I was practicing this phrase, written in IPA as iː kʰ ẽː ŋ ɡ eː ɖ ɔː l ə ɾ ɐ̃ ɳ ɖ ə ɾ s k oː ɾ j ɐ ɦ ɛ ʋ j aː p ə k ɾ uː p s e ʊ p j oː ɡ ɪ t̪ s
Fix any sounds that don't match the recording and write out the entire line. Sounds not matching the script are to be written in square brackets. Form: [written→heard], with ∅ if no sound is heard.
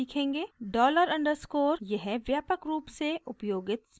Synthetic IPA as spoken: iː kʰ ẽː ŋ ɡ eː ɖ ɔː l ə ɾ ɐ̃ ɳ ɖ ə ɾ s k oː ɾ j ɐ ɦ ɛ ʋ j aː p ə k ɾ uː p s e ʊ p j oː ɡ ɪ t̪ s